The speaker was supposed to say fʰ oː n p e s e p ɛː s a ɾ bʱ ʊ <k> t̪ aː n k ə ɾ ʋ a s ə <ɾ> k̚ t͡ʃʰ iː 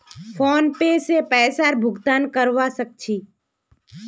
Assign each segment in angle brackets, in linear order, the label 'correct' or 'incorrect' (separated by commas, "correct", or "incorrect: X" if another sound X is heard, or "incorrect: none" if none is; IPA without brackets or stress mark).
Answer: incorrect: ɡ, incorrect: none